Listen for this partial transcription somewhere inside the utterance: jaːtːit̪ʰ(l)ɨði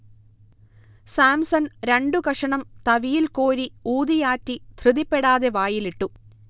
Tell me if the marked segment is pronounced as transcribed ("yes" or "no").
no